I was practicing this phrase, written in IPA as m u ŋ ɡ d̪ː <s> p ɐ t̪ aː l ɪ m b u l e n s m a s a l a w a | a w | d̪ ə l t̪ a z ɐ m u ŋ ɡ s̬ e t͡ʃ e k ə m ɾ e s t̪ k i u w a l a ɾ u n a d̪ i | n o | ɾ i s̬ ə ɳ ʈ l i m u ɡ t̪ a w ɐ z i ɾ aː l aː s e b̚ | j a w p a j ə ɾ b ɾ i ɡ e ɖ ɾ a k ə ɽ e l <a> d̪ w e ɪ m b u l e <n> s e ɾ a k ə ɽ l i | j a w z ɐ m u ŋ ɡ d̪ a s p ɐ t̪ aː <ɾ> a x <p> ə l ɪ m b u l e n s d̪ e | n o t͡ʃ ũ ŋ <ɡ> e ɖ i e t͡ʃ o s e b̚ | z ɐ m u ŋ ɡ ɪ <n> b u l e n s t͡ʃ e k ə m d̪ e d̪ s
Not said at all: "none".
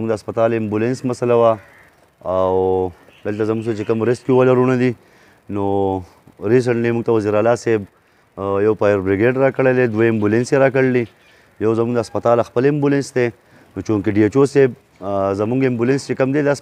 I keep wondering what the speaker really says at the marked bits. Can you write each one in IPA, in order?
s, e, n, l, p, k, m

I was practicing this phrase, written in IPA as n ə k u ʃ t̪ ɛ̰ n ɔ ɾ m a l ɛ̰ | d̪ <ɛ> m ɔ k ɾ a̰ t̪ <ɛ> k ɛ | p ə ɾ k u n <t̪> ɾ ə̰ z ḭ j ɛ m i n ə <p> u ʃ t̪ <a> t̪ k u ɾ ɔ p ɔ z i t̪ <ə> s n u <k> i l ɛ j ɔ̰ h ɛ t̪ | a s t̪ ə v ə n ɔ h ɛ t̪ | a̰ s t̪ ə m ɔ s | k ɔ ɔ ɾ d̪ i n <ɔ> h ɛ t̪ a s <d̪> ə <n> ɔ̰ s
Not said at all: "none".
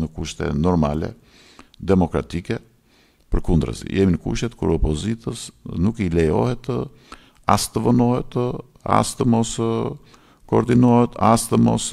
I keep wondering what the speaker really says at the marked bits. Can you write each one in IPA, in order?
ɛ, i, d̪, k, ɛ, ə, k, ɔ, t̪, m

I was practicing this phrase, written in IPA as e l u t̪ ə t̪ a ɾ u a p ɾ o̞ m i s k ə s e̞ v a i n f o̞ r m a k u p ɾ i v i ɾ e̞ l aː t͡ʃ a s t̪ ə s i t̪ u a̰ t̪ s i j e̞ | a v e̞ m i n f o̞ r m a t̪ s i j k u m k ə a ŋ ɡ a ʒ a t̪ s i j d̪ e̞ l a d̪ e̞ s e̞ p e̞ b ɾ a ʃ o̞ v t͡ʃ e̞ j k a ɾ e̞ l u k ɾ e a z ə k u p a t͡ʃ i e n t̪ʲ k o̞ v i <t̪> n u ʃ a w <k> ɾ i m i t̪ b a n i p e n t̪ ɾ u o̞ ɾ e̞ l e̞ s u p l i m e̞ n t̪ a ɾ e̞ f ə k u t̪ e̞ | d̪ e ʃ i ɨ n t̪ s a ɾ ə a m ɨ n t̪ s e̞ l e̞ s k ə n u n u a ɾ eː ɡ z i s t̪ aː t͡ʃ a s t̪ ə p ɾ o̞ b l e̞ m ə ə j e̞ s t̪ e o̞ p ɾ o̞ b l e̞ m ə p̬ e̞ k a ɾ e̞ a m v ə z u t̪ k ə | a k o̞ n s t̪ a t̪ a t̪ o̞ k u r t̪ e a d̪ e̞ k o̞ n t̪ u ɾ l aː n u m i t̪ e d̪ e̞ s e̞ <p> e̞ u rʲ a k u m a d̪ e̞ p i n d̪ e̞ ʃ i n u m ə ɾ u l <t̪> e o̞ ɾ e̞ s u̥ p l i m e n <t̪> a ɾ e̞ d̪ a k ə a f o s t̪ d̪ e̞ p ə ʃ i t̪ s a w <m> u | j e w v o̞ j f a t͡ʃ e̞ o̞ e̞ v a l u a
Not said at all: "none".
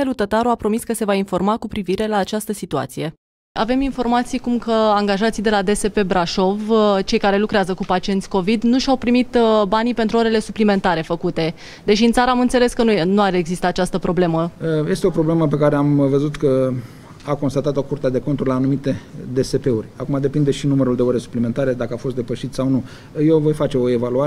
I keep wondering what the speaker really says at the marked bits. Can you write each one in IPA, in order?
d̪, p, p, d̪, t̪, n

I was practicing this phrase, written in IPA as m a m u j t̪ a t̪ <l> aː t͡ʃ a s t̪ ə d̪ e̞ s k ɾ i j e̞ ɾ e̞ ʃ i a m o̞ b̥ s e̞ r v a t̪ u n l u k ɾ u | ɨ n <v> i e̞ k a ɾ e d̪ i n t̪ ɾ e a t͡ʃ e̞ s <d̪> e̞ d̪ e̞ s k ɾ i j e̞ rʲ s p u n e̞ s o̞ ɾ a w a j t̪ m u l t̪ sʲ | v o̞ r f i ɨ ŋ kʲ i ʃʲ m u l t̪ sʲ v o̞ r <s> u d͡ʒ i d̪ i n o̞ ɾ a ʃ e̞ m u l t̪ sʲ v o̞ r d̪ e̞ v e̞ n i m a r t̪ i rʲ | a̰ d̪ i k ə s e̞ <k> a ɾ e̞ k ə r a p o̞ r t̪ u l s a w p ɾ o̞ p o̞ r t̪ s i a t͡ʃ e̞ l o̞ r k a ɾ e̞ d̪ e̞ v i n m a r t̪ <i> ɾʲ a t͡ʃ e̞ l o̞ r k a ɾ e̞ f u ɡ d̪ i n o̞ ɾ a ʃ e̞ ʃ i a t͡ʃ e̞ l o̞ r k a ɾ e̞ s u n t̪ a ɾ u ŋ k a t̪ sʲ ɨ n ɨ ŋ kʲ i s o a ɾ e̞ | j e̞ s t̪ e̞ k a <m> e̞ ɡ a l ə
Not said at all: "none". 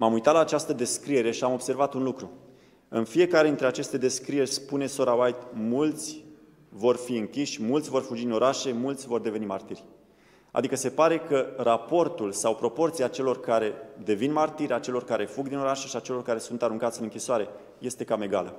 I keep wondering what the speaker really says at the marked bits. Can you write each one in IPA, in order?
l, f, t̪, f, p, i, m

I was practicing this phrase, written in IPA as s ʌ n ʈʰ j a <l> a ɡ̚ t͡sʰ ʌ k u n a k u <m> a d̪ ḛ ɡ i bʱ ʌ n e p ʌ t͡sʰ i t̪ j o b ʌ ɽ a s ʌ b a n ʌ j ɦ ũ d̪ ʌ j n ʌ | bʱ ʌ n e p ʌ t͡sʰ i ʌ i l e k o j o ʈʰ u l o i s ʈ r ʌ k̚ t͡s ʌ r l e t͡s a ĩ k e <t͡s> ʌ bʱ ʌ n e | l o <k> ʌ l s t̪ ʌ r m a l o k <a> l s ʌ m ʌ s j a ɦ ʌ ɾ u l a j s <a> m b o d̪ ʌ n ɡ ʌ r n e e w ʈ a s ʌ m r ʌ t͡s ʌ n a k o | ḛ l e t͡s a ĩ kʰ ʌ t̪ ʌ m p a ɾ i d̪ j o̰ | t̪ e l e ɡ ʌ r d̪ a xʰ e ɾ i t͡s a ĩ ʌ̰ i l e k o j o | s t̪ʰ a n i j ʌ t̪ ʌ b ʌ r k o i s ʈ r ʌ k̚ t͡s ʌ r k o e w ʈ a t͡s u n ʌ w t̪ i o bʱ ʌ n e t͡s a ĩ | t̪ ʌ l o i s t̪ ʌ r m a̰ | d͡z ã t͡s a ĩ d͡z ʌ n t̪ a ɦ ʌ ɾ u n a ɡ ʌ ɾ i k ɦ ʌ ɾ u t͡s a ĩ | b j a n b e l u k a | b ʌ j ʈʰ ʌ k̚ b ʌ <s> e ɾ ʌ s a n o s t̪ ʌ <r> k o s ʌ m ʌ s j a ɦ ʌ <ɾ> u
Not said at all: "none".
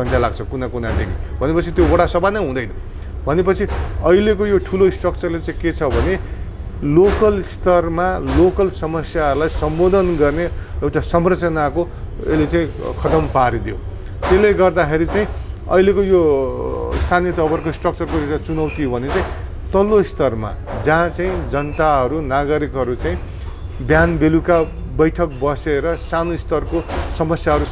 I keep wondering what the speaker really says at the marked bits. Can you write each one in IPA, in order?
l, n, t͡sʰ, k, ʌ, ʌ, s, r, ɾ

